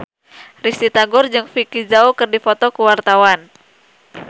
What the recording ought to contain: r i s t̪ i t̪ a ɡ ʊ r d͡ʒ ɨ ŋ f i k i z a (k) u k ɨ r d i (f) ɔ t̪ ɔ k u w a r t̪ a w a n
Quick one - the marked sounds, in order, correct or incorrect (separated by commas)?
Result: incorrect, correct